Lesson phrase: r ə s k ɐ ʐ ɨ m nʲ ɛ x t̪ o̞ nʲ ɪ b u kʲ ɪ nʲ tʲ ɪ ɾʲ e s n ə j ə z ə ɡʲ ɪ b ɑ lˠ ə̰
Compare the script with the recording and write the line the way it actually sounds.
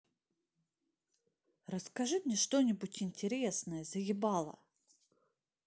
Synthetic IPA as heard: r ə s k ɐ ʐ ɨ m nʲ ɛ ʂ t̪ o̞ nʲ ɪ b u tʲ ɪ nʲ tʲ ɪ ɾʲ e s n ə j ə z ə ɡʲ ɪ b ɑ lˠ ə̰

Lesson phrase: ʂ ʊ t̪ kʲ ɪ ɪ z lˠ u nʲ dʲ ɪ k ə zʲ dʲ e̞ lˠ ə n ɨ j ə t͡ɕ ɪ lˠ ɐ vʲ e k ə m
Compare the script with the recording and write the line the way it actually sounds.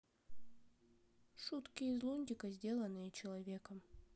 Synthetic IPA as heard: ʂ u t̪ kʲ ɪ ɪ z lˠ u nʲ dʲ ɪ k ə zʲ dʲ e̞ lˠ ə n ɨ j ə t͡ɕ ɪ lˠ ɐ vʲ e k ə m

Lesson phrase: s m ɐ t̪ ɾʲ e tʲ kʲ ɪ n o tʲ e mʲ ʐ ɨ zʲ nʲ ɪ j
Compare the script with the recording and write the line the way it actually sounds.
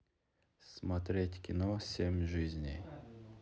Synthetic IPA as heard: s m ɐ t̪ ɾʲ e tʲ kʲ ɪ n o sʲ e mʲ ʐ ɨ zʲ nʲ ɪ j

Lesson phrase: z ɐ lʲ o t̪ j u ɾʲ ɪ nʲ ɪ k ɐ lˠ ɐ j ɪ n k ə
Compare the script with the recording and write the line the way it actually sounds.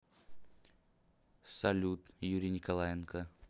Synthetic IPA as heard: s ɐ lʲ u t̪ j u ɾʲ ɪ nʲ ɪ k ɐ lˠ a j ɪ n k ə

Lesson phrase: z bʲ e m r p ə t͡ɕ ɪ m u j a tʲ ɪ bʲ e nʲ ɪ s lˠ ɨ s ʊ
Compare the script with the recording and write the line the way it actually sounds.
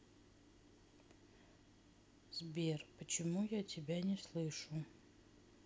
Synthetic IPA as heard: z bʲ e r p ə t͡ɕ ɪ m u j a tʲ ɪ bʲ a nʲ ɪ s lˠ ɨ ʂ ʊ

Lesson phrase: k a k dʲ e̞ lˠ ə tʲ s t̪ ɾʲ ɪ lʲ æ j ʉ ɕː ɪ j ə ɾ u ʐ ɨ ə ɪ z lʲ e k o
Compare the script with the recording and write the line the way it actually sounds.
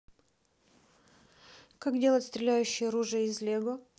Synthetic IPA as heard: k a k dʲ e̞ lˠ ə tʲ s t̪ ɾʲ ɪ lʲ æ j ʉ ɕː ɪ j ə ɾ u ʐ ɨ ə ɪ z lʲ e ɡ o

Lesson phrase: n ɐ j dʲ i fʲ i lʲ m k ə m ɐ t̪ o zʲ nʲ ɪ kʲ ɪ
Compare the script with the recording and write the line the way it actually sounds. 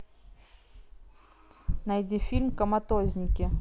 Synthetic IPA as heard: n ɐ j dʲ i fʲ i lʲ m k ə m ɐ t̪ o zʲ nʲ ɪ kʲ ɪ

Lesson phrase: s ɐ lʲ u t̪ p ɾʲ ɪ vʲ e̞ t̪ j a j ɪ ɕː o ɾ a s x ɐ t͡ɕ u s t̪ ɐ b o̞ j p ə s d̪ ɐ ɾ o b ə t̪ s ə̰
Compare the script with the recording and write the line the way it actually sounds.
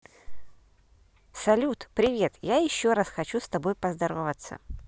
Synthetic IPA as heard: s ɐ lʲ u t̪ p ɾʲ ɪ vʲ e̞ t̪ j a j ɪ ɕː o ɾ a s x ɐ t͡ɕ u s t̪ ɐ b o̞ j p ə z d̪ ɐ ɾ o v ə t̪ s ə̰

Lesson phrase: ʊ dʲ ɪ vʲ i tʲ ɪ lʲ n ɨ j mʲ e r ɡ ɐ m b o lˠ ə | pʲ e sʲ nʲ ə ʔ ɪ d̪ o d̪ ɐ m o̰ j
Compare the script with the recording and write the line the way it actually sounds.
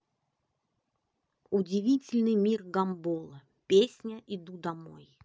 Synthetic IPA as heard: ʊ dʲ ɪ vʲ i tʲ ɪ lʲ n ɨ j mʲ i r ɡ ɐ m b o lˠ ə | pʲ e sʲ nʲ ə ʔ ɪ d̪ u d̪ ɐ m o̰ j

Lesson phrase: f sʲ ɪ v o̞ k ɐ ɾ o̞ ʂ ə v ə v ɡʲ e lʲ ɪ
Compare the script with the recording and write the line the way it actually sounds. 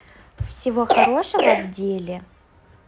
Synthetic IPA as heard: f sʲ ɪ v o̞ x ɐ ɾ o̞ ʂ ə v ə v dʲ e lʲ ɪ

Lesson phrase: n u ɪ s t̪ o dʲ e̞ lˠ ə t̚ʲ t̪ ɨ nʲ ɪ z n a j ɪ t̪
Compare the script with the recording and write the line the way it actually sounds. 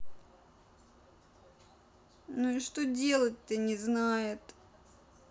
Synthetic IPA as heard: n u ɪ ʂ t̪ o dʲ e̞ lˠ ə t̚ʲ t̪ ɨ nʲ ɪ z n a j ɪ t̪

